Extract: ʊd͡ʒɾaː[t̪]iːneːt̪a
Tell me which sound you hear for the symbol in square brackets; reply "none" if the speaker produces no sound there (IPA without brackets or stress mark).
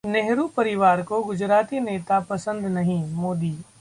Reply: t̪